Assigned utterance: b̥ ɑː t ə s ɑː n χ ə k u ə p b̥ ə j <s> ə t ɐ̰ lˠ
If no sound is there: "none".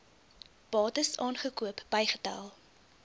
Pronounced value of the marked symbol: χ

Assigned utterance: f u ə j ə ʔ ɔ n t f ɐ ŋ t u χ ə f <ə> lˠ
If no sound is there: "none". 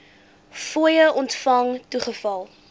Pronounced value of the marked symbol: ɐ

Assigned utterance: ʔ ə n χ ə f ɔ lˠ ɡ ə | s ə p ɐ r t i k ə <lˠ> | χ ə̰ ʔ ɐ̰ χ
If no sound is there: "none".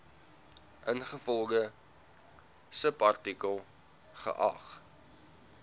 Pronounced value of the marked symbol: lˠ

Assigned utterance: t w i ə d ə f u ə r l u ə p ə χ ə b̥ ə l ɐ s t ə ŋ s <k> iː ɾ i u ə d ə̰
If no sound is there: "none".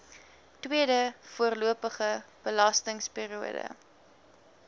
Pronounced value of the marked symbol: p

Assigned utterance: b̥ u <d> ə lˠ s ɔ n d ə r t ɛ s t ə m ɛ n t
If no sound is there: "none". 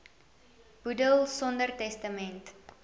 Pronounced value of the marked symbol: d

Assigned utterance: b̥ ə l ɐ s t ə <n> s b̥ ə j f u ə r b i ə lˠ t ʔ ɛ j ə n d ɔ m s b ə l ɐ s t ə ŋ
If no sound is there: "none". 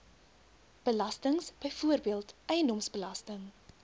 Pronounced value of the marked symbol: ŋ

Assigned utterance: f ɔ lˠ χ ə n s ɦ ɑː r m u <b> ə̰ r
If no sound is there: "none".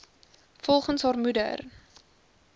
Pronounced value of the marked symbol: d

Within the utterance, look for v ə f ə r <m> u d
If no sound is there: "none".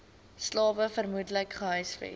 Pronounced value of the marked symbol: m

